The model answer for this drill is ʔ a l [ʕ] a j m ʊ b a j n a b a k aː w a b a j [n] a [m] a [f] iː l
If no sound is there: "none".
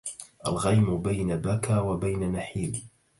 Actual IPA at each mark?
ɣ, n, n, ħ

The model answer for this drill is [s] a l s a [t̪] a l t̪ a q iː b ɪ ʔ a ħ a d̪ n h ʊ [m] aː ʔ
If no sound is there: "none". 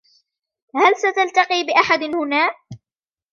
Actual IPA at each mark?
h, t̪, n

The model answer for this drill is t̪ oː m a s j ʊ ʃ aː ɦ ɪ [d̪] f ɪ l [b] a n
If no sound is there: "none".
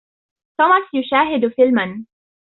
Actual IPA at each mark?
d̪, m

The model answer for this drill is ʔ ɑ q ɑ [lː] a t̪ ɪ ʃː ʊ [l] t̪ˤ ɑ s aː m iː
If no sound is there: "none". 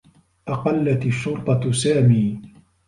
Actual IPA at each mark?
lː, ɾ

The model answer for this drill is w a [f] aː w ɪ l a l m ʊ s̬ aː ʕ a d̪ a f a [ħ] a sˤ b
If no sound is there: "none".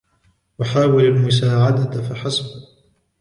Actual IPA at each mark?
ħ, ħ

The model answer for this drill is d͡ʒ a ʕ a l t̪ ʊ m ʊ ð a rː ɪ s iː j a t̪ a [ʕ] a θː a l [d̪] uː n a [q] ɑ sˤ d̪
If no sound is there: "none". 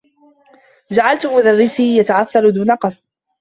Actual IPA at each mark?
ʕ, d̪, q

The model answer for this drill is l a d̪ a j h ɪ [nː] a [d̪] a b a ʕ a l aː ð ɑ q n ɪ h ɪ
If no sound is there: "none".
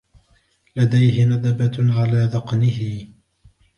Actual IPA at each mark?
n, d̪

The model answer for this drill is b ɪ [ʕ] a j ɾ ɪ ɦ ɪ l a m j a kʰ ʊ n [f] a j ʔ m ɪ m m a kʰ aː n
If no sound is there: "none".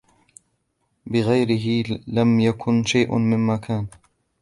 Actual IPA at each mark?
ɣ, ʃ

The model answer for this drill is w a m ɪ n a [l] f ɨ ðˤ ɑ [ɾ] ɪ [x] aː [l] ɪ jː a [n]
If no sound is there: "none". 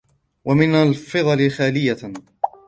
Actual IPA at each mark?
l, l, x, l, none

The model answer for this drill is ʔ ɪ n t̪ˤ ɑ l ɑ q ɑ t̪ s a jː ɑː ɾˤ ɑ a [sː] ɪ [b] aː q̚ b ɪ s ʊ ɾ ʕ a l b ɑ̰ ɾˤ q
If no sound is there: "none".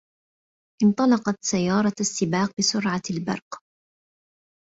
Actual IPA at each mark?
sː, b

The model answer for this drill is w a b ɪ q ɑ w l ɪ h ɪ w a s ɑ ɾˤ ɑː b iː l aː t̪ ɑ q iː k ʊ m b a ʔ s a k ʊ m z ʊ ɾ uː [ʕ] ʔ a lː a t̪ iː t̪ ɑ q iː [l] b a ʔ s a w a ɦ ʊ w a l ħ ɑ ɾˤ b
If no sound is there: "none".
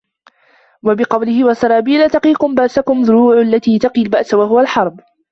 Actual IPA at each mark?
ʕ, l

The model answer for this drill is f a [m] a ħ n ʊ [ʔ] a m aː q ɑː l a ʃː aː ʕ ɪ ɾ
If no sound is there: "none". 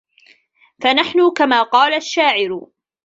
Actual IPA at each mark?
n, k

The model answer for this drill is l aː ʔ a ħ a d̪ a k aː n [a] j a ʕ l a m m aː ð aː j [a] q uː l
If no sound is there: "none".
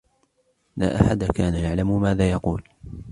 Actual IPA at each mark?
a, ɑ

